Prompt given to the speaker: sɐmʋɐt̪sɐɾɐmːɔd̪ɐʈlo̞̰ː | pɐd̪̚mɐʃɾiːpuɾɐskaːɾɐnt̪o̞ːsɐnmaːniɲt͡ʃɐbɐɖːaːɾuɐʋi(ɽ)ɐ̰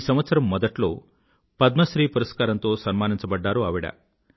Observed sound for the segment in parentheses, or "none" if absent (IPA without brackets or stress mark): ɽ